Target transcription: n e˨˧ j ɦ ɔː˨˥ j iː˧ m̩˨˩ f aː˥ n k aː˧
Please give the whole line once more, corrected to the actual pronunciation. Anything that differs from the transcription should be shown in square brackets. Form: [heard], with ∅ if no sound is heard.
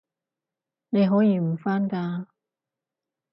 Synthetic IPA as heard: n e˨˧ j ɦ ɔː˨˥ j iː˧ m̩˨˩ f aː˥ n k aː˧